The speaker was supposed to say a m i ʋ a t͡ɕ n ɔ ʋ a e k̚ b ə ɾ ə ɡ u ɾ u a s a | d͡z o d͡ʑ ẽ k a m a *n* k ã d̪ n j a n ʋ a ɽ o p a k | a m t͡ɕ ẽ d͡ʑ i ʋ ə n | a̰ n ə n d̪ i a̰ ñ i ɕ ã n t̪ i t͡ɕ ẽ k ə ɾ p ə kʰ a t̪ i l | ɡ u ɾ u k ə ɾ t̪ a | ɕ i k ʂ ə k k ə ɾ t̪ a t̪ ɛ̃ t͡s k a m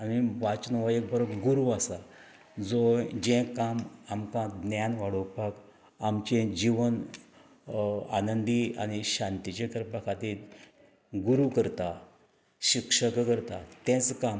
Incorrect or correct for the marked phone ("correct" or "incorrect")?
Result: incorrect